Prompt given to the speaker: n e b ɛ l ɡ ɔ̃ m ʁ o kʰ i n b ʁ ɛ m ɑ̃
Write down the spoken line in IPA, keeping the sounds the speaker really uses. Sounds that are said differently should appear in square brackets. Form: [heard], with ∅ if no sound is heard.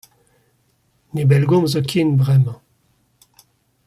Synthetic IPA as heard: n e b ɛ l ɡ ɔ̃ m [z] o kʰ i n b ʁ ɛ m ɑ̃